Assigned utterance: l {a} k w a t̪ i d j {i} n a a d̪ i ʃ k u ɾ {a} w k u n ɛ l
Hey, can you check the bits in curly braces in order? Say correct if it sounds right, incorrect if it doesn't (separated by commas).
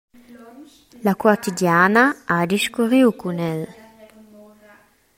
correct, incorrect, incorrect